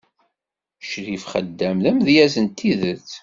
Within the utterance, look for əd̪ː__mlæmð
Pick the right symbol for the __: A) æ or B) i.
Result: A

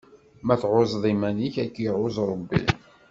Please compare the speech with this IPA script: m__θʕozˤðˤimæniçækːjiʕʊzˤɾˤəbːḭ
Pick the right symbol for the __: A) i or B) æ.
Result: B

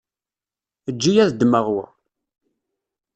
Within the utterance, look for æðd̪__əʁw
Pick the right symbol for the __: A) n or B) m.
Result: B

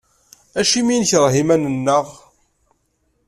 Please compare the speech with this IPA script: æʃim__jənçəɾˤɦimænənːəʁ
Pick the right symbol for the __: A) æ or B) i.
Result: B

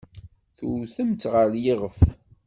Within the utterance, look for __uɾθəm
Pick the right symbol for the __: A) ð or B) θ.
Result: B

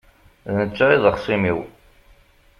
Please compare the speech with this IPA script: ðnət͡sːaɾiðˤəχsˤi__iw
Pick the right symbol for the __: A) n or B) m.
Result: B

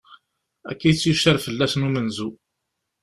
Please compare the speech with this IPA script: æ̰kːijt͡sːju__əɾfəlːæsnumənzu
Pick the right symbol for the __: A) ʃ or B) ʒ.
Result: A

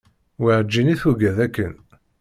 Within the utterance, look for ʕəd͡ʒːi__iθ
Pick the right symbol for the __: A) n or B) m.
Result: A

